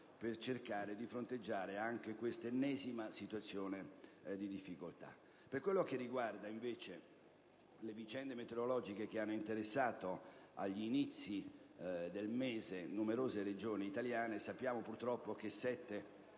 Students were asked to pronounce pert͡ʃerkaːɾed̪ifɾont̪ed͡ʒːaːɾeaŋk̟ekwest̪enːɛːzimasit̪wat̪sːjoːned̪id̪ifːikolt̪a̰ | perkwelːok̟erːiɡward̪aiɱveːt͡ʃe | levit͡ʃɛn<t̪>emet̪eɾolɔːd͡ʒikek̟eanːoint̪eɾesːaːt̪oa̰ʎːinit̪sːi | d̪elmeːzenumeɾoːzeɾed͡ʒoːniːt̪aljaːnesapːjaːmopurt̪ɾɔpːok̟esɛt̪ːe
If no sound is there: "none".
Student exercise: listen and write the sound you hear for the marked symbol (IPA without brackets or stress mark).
d̪